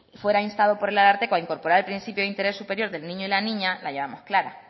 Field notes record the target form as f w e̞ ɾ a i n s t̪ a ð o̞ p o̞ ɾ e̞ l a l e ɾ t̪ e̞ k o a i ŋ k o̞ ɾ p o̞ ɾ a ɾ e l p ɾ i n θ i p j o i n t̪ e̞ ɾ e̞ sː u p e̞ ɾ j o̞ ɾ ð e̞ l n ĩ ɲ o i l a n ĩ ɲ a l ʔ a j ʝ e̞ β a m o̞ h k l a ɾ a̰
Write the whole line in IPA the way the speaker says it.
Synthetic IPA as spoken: f w e̞ ɾ a i n s t̪ a ð o̞ p o̞ ɾ e̞ l a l a ɾ t̪ e̞ k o a i ŋ k o̞ ɾ p o̞ ɾ a ɾ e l p ɾ i n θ i p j o i n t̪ e̞ ɾ e̞ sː u p e̞ ɾ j o̞ ɾ ð e̞ l n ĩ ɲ o i l a n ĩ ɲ a l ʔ a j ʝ e̞ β a m o̞ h k l a ɾ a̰

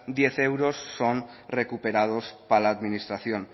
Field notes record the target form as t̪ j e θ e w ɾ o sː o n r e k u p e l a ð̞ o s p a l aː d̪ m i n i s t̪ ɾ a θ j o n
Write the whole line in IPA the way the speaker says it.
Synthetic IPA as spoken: d̪ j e θ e w ɾ o sː o n r e k u p e ɾ a ð̞ o s p a l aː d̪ m i n i s t̪ ɾ a θ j o n

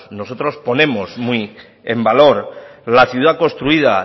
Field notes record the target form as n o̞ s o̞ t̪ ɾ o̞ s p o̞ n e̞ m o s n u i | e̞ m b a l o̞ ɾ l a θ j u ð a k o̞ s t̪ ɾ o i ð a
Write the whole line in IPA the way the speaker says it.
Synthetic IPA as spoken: n o̞ s o̞ t̪ ɾ o̞ s p o̞ n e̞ m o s m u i | e̞ m b a l o̞ ɾ l a θ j u ð a k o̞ s t̪ ɾ u i ð a

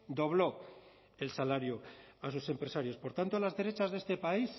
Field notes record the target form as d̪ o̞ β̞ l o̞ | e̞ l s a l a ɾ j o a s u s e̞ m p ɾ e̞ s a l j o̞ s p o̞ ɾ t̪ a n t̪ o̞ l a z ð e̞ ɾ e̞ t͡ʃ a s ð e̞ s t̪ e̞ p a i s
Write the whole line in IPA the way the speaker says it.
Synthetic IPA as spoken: d̪ o̞ β̞ l o̞ | e̞ l s a l a ɾ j o a s u s e̞ m p ɾ e̞ s a ɾ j o̞ s p o̞ ɾ t̪ a n t̪ o̞ l a z ð e̞ ɾ e̞ t͡ʃ a z ð e̞ s t̪ e̞ p a i s

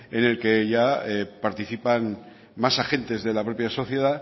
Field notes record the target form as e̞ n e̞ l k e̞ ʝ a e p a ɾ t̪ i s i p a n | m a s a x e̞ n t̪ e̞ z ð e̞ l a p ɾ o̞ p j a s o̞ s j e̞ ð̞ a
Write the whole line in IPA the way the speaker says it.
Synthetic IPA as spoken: e̞ n e̞ l k e̞ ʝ a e p a ɾ t̪ i θ i p a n | m a s a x e̞ n t̪ e̞ z ð e̞ l a p ɾ o̞ p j a s o̞ θ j e̞ ð̞ a

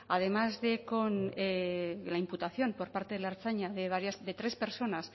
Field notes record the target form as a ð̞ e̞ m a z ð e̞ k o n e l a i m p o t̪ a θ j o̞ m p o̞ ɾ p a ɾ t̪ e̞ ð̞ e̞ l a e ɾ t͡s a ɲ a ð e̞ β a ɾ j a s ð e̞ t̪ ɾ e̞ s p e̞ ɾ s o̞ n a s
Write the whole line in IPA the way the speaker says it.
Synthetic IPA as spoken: a ð̞ e̞ m a z ð e̞ k o n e l a i m p u t̪ a θ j o̞ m p o̞ ɾ p a ɾ t̪ e̞ ð̞ e̞ l a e ɾ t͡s a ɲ a ð e̞ β a ɾ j a s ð e̞ t̪ ɾ e̞ s p e̞ ɾ s o̞ n a s

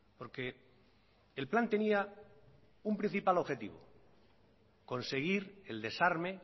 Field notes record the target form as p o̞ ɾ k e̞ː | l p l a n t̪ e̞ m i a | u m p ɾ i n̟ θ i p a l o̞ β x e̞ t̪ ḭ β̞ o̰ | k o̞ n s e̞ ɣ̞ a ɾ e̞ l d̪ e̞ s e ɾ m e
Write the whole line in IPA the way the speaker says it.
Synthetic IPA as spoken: p o̞ ɾ k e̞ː | l p l a n t̪ e̞ n i a | u m p ɾ i n̟ θ i p a l o̞ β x e̞ t̪ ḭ β̞ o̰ | k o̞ n s e̞ ɣ̞ i ɾ e̞ l d̪ e̞ s a ɾ m e

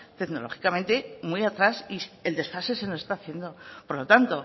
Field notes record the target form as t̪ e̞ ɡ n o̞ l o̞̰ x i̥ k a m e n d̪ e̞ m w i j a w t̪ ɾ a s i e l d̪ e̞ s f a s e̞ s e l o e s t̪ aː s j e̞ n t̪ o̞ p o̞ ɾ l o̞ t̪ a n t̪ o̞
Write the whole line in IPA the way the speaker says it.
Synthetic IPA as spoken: t̪ e̞ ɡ n o̞ l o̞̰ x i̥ k a m e n t̪ e̞ m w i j a t̪ ɾ a s i e l d̪ e̞ s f a s e̞ s e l o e s t̪ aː θ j e̞ n d̪ o̞ p o̞ ɾ l o̞ t̪ a n t̪ o̞

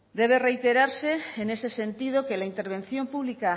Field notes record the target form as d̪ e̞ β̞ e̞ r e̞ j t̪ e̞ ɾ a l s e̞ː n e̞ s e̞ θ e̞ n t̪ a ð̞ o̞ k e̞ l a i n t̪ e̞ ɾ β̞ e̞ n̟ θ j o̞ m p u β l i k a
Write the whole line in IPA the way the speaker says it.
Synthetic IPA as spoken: d̪ e̞ β̞ e̞ r e̞ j t̪ e̞ ɾ a ɾ s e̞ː n e̞ s e̞ s e̞ n t̪ i ð̞ o̞ k e̞ l a i n t̪ e̞ ɾ β̞ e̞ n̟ θ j o̞ m p u β l i k a

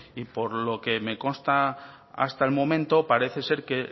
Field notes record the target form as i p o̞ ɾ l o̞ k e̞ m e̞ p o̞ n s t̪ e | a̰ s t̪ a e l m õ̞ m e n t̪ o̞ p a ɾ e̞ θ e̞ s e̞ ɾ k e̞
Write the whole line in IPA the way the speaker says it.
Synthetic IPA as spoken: i p o̞ ɾ l o̞ k e̞ m e̞ k o̞ n s t̪ a | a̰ s t̪ a e l m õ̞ m ẽ n t̪ o̞ p a ɾ e̞ θ e̞ s e̞ ɾ k e̞

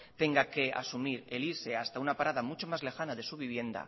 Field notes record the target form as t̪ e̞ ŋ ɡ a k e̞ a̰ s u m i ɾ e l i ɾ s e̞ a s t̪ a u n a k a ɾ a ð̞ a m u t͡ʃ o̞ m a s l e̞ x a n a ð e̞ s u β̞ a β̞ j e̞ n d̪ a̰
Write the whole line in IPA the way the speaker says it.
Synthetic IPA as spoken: t̪ e̞ ŋ ɡ a k e̞ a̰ s u m i ɾ e l i ɾ s e̞ a s t̪ a u n a p a ɾ a ð̞ a m u t͡ʃ o̞ m a z l e̞ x a n a ð e̞ s u β̞ i β̞ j e̞ n d̪ a̰

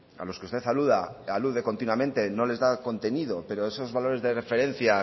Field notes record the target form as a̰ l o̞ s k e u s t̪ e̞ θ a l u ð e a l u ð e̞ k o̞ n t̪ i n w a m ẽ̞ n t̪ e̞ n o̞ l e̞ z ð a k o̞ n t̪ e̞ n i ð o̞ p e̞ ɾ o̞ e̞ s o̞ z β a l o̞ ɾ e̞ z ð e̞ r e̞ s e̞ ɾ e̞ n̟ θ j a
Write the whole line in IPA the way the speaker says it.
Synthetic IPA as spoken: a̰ l o̞ s k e u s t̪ e̞ θ a l u ð a a l u ð e̞ k o̞ n t̪ i n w a m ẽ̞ n t̪ e̞ n o̞ l e̞ z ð a k o̞ n t̪ e̞ n i ð o̞ p e̞ ɾ o̞ e̞ s o̞ z β a l o̞ ɾ e̞ z ð e̞ r e̞ f e̞ ɾ e̞ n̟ θ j a

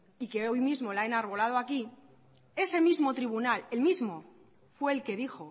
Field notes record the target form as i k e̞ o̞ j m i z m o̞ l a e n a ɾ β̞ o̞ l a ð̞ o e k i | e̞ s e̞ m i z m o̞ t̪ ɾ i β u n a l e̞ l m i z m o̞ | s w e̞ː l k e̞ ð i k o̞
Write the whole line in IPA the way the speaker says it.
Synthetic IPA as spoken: i k e̞ o̞ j m i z m o̞ l a e n a ɾ β̞ o̞ l a ð̞ o a k i | e̞ s e̞ m i z m o̞ t̪ ɾ i β u n a l e̞ l m i z m o̞ | f w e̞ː l k e̞ ð i x o̞

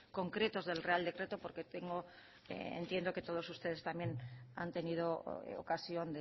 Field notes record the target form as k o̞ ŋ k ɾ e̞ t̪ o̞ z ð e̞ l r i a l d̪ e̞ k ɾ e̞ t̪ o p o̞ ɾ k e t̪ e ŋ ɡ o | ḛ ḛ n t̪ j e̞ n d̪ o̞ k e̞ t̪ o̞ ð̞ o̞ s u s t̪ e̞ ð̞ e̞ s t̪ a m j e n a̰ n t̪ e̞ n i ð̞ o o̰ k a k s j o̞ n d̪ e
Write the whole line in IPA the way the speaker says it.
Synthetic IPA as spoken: k o̞ ŋ k ɾ e̞ t̪ o̞ z ð e̞ l r e a l d̪ e̞ k ɾ e̞ t̪ o p o̞ ɾ k e t̪ e ŋ ɡ o | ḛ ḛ n t̪ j e̞ n d̪ o̞ k e̞ t̪ o̞ ð̞ o̞ s u s t̪ e̞ ð̞ e̞ s t̪ a m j e n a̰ n t̪ e̞ n i ð̞ o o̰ k a s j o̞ n d̪ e

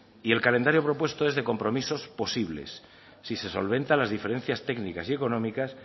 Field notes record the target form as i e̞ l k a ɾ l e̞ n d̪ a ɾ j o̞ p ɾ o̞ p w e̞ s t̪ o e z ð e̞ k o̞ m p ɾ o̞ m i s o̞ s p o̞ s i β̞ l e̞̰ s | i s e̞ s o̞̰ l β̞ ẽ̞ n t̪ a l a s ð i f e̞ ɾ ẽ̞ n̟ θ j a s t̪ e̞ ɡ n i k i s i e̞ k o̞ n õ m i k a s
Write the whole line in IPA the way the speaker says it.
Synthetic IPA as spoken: i e̞ l k a l e̞ n d̪ a ɾ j o̞ p ɾ o̞ p w e̞ s t̪ o e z ð e̞ k o̞ m p ɾ o̞ m i s o̞ s p o̞ s i β̞ l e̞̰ sː | i s e̞ s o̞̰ l β̞ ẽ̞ n t̪ a l a z ð i f e̞ ɾ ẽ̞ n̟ θ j a s t̪ e̞ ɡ n i k a s i e̞ k o̞ n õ m i k a s

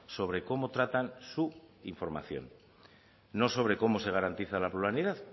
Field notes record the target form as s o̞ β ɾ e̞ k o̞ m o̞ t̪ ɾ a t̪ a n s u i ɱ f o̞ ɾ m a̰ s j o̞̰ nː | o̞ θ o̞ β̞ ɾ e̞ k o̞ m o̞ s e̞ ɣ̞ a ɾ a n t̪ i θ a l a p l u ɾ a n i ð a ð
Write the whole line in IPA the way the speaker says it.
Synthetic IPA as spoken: s o̞ β ɾ e̞ k o̞ m o̞ t̪ ɾ a t̪ a n s u i ɱ f o̞ ɾ m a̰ θ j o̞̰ nː | o̞ s o̞ β̞ ɾ e̞ k o̞ m o̞ s e̞ ɣ̞ a ɾ a n t̪ i θ a l a p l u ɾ a n i ð a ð

